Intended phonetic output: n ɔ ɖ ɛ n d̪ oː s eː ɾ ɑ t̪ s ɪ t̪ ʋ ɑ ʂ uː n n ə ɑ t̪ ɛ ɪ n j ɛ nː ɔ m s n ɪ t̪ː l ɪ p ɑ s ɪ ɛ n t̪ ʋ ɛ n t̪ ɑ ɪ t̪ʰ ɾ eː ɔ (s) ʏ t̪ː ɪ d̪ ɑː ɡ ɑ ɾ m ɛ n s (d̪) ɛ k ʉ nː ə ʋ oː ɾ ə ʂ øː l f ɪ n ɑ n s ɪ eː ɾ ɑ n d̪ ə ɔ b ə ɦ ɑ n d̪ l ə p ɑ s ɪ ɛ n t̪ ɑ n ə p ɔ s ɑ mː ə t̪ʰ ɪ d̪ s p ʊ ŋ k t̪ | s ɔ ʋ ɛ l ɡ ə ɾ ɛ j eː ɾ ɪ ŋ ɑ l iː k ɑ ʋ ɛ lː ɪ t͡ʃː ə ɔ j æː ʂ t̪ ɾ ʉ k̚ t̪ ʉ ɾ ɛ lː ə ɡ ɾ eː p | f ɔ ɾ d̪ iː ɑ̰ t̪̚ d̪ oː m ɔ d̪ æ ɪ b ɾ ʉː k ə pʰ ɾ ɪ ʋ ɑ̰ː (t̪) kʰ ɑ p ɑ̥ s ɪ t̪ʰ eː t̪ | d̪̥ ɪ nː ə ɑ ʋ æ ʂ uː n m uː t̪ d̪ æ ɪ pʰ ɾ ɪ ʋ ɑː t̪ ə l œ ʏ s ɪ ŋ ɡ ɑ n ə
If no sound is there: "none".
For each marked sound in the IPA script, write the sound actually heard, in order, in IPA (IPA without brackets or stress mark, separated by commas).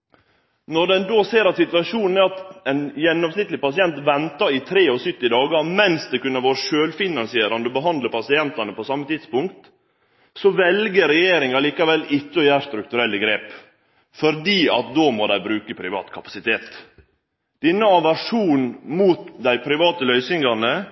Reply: s, d̪, t̪